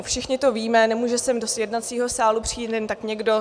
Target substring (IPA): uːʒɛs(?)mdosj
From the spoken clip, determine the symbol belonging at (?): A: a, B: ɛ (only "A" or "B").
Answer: B